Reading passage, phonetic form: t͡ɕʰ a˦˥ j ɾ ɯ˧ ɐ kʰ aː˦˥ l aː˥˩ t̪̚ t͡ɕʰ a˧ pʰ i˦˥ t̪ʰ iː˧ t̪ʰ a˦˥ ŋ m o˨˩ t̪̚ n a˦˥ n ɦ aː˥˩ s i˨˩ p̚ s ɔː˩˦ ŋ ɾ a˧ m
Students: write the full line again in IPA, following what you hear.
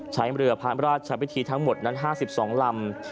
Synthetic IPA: t͡ɕʰ a˦˥ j ɾ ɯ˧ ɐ pʰ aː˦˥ ɾ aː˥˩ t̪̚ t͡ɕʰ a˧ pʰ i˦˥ t̪ʰ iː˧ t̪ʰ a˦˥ ŋ m o˨˩ t̪̚ n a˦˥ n ɦ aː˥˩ s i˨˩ p̚ s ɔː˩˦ ŋ l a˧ m